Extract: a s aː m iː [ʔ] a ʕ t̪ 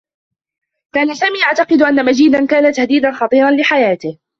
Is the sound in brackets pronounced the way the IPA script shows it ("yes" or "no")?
yes